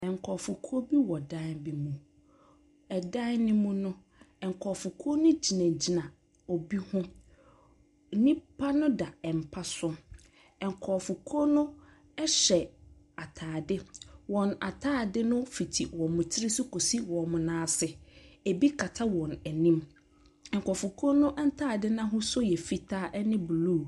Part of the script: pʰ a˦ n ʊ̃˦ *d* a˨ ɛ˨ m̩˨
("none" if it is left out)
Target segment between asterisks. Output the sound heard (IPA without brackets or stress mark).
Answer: d